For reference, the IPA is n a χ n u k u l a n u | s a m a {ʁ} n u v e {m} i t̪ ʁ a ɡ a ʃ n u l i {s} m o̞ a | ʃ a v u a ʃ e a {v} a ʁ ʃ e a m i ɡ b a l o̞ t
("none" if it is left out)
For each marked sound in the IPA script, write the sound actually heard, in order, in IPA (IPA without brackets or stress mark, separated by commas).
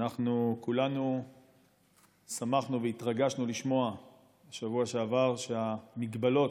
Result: χ, none, ʃ, v